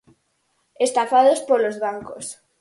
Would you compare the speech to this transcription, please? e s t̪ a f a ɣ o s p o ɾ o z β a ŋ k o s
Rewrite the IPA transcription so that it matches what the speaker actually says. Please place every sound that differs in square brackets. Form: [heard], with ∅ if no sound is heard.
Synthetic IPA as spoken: e s t̪ a f a [ð] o s p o [l] o z β a ŋ k o s